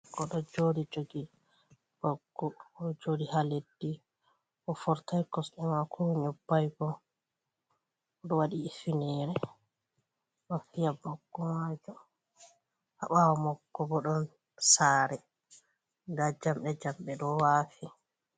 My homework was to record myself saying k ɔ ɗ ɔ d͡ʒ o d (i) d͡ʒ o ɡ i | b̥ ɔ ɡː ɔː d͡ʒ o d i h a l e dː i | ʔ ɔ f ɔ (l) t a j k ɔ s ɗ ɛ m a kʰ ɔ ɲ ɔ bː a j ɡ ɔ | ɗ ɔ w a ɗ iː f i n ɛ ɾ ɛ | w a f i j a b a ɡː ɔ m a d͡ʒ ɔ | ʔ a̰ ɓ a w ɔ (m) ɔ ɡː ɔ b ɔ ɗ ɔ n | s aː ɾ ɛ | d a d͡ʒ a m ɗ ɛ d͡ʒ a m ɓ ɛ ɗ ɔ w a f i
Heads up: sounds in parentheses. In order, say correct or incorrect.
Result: correct, incorrect: ɾ, correct

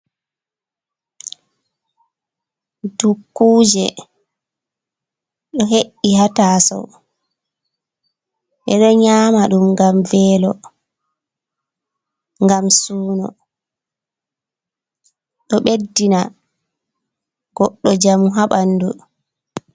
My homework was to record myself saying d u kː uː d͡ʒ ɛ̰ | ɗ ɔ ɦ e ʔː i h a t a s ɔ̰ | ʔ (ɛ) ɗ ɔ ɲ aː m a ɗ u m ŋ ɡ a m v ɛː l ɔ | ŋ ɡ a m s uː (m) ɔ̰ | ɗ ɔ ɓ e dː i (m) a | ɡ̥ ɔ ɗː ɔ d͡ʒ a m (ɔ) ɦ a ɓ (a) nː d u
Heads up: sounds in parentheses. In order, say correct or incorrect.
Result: correct, incorrect: n, incorrect: n, incorrect: u, correct

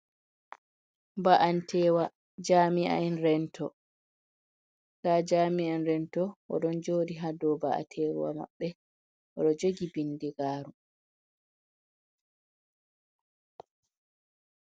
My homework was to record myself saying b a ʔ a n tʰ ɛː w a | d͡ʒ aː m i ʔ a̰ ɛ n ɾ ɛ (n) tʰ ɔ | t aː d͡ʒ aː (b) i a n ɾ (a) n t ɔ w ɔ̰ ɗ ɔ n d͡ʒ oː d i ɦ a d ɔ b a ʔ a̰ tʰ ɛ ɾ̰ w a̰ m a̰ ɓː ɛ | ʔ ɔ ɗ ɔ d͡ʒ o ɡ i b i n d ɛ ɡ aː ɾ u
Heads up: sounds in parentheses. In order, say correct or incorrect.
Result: correct, incorrect: m, incorrect: ɛ

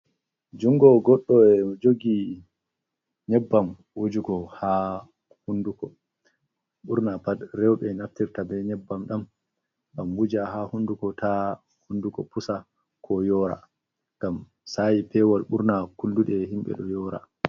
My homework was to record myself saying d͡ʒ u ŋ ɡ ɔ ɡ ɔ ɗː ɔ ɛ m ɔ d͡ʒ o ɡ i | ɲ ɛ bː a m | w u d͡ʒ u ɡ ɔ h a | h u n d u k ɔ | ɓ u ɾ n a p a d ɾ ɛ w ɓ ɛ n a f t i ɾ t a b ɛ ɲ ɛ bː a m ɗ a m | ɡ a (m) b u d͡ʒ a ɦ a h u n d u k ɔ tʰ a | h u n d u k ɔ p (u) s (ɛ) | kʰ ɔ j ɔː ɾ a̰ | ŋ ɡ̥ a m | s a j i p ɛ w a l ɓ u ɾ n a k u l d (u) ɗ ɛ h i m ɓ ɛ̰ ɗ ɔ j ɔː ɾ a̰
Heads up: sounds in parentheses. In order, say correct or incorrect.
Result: correct, correct, incorrect: a, correct

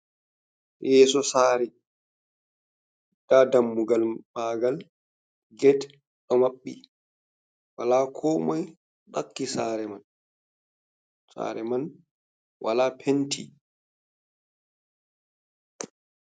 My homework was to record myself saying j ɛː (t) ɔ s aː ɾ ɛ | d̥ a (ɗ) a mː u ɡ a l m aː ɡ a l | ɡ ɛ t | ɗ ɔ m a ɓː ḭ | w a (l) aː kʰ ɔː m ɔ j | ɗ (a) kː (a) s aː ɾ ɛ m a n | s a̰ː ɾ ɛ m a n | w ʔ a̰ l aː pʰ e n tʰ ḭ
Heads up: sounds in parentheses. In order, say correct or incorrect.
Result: incorrect: s, incorrect: d, correct, correct, incorrect: i

